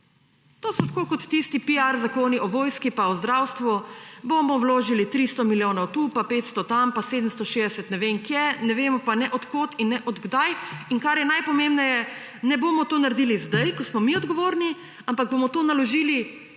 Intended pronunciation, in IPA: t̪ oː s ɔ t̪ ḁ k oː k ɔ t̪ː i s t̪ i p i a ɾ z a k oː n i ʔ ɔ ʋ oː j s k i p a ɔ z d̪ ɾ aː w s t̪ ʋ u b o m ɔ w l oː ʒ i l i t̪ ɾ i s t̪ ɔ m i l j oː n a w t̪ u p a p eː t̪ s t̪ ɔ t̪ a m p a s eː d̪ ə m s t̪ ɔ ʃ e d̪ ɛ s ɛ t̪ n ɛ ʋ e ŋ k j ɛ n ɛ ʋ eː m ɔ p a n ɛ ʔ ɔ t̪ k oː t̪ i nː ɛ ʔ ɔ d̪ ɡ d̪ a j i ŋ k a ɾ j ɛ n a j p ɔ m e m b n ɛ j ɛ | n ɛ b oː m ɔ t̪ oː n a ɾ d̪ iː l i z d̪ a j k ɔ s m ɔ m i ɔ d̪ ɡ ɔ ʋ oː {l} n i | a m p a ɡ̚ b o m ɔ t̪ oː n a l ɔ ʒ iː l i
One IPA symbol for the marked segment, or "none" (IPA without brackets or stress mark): ɾ